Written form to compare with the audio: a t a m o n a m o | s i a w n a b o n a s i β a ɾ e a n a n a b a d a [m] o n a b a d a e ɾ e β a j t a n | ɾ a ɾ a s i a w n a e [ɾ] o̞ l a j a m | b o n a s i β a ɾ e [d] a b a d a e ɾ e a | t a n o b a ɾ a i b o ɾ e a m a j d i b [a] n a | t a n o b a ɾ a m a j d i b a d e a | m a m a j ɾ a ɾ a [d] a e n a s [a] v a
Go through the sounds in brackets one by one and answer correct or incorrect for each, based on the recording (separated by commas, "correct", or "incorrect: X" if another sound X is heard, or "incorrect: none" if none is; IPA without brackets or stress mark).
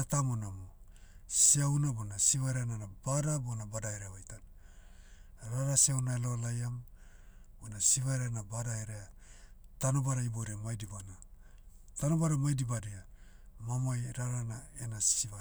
incorrect: b, incorrect: l, incorrect: n, correct, incorrect: n, incorrect: i